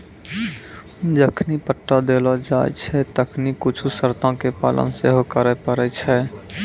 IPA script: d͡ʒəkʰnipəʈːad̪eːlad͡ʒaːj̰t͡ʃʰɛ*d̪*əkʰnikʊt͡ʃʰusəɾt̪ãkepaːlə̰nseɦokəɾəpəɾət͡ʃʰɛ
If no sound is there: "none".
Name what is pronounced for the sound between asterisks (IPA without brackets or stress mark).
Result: t̪